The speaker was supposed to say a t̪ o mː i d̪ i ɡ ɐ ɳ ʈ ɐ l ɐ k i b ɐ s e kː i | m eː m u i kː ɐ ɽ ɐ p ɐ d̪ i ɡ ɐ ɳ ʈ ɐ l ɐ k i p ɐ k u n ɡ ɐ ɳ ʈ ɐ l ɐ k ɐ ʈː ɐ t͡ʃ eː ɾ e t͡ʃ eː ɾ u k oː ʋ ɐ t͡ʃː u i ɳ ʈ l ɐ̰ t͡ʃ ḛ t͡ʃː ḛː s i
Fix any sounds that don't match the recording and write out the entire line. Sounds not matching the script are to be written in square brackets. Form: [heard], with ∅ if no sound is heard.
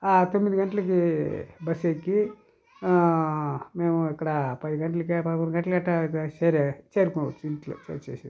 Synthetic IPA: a t̪ o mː i d̪ i ɡ ɐ ɳ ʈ ɐ l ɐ k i b ɐ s e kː i | m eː m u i kː ɐ ɽ ɐ p ɐ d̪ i ɡ ɐ ɳ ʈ ɐ l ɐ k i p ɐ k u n ɡ ɐ ɳ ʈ ɐ l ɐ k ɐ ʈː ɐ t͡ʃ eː ɾ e t͡ʃ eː ɾ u k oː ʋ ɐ t͡ʃː u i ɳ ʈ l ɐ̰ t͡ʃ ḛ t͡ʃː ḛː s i